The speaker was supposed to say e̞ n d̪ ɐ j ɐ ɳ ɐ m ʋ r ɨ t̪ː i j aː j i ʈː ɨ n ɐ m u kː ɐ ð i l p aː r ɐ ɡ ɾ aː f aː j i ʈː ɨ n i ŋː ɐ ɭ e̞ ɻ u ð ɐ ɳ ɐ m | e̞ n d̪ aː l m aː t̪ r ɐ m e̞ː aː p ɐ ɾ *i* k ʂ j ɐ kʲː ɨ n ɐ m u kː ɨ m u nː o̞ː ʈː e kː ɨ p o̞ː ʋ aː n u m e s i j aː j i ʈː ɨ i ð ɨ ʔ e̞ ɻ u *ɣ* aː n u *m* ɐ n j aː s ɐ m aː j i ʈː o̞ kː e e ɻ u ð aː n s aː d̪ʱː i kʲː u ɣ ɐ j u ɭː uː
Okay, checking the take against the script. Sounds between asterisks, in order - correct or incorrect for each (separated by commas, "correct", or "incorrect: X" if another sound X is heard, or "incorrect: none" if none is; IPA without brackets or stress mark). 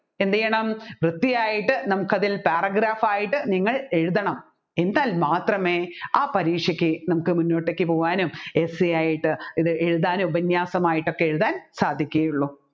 incorrect: iː, incorrect: ð, incorrect: b